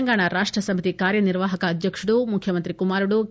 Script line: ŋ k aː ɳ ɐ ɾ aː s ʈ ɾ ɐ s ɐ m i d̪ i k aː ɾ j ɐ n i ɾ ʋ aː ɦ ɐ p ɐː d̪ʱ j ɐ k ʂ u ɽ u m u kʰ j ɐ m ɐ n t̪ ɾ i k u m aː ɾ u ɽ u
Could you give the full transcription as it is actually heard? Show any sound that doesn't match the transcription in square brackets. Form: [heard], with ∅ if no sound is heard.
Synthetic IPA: ŋ [ɡ] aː ɳ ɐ ɾ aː [ʂ] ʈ ɾ ɐ s ɐ m i [t̪] i k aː ɾ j ɐ n i ɾ ʋ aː ɦ ɐ [k] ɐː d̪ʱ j ɐ k ʂ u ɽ u m u kʰ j ɐ m ɐ n t̪ ɾ i k u m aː ɾ u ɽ u

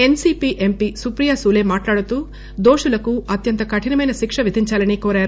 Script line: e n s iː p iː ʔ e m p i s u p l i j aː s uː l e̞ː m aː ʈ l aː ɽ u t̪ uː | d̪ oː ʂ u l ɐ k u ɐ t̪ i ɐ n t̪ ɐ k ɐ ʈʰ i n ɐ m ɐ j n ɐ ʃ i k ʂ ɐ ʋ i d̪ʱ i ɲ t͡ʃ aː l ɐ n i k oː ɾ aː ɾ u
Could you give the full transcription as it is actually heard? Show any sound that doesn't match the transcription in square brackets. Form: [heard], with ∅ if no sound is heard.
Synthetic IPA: e n s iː p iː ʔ e m p i s u p [ɾ] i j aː s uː l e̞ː m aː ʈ l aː ɽ u t̪ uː | d̪ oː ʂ u l ɐ k u ɐ t̪ [j] ɐ n t̪ ɐ k ɐ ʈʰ i n ɐ m ɐ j n ɐ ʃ i k ʂ ɐ ʋ i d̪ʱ i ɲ t͡ʃ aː l ɐ n i k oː ɾ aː ɾ u

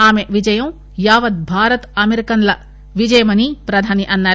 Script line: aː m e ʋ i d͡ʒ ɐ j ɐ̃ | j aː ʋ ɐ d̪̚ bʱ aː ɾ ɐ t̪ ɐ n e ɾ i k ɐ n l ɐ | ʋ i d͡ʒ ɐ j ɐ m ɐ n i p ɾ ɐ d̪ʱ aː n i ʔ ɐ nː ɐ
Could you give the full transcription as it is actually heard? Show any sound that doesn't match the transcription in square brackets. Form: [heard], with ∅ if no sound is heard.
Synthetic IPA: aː m e ʋ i d͡ʒ ɐ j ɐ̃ | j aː ʋ ɐ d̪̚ bʱ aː ɾ ɐ t̪ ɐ [m] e ɾ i k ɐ n l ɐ | ʋ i d͡ʒ ɐ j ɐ m ɐ n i p ɾ ɐ d̪ʱ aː n i ʔ ɐ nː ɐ

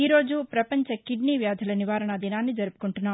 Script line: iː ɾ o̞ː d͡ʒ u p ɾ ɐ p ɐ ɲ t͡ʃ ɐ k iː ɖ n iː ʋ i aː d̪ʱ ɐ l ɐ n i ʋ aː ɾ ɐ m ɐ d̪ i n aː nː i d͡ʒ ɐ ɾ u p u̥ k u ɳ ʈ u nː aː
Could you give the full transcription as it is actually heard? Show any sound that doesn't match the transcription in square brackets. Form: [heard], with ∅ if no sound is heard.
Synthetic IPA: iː ɾ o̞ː d͡ʒ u p ɾ ɐ p ɐ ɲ t͡ʃ ɐ k [i] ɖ n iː ʋ [j] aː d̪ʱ ɐ l ɐ n i ʋ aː ɾ ɐ [ɳ] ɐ d̪ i n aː nː i d͡ʒ ɐ ɾ u p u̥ k u ɳ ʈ u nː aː

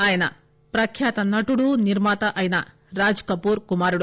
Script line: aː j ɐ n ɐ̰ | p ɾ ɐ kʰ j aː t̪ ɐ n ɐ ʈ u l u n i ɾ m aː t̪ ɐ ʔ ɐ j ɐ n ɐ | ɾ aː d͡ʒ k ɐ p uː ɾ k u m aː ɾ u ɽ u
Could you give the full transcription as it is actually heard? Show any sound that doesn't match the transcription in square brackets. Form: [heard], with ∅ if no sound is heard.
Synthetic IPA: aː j ɐ n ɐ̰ | p ɾ ɐ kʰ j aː t̪ ɐ n ɐ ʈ u [ɽ] u n i ɾ m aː t̪ ɐ ʔ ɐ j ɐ n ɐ | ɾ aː d͡ʒ k ɐ p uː ɾ k u m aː ɾ u ɽ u

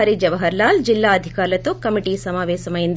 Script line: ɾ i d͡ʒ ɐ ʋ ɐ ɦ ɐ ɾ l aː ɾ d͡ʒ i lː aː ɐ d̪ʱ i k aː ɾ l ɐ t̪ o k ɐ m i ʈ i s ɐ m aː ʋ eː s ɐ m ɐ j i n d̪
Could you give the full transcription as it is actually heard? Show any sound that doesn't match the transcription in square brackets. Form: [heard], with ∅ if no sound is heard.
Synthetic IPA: ɾ i d͡ʒ ɐ ʋ ɐ ɦ ɐ ɾ l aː [l] d͡ʒ i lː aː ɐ d̪ʱ i k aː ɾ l ɐ t̪ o k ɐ m i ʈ i s ɐ m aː ʋ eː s ɐ m ɐ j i n d̪

